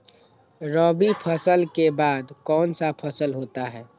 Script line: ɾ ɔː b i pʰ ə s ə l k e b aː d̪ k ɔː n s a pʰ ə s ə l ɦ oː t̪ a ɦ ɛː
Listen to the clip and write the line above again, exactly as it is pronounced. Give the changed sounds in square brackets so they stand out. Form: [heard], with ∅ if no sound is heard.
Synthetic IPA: ɾ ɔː b i pʰ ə s ə l k e b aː d̪ k ɔː n s a pʰ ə s ə l ɦ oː t̪ a ɦ ɛː